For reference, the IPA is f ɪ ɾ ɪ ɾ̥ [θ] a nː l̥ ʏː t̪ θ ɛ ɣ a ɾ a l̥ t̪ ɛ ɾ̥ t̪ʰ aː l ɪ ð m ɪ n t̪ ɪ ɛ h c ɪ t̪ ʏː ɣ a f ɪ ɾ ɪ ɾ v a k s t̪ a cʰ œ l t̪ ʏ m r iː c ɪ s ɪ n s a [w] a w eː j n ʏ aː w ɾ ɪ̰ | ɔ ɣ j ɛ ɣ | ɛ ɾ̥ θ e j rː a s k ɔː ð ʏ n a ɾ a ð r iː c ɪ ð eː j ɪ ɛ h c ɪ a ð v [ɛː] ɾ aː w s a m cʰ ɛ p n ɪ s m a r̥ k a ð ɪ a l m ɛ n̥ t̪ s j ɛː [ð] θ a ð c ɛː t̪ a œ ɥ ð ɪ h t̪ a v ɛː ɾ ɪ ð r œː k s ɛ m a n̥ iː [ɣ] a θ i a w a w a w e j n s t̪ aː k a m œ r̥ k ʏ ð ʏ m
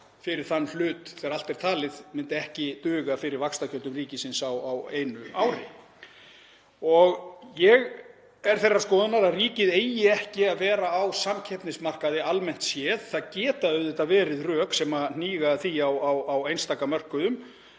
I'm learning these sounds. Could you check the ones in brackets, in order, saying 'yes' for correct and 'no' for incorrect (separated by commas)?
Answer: yes, yes, yes, yes, yes